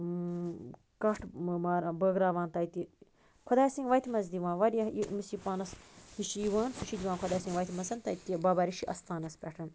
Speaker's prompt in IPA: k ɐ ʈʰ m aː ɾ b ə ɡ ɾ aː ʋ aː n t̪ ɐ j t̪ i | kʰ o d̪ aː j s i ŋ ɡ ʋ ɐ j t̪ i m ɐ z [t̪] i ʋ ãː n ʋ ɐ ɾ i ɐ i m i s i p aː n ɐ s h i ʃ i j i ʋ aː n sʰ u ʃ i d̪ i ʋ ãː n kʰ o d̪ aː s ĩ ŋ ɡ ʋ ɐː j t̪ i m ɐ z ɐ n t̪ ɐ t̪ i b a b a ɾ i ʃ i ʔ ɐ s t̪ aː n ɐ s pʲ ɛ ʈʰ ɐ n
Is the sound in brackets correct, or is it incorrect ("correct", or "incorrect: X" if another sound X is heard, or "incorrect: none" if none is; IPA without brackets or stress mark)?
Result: incorrect: d̪